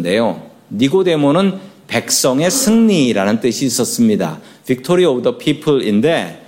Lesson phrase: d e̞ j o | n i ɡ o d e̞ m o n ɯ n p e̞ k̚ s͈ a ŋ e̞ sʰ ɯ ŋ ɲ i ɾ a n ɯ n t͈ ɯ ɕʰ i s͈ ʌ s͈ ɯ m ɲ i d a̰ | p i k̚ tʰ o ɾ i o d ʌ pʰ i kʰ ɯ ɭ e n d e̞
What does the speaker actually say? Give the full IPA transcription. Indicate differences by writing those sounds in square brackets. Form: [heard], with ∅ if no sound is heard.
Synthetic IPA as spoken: d e̞ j o | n i ɡ o d e̞ m o n ɯ n p e̞ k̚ s͈ [ʌ] ŋ e̞ sʰ ɯ ŋ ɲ i ɾ a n ɯ n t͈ ɯ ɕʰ [iː] s͈ ʌ s͈ ɯ m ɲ i d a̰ | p i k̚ tʰ o ɾ i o d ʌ pʰ i [pʰ] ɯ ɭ [i] n d e̞